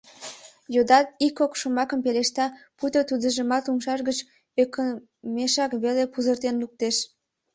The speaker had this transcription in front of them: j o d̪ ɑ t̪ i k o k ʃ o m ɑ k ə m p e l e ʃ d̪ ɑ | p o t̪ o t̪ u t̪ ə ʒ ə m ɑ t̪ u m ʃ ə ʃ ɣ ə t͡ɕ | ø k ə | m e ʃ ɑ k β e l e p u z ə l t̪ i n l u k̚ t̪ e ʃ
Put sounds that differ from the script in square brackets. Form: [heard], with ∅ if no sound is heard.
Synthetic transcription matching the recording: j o d̪ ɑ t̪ i k o k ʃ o m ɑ k ə m p e l e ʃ [t̪] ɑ | p [u] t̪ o t̪ u [d̪] ə ʒ ə m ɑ t̪ u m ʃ [ɑ] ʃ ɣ ə t͡ɕ | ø k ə | m e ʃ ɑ k β e l e p u z ə [r] t̪ [e] n l u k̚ t̪ e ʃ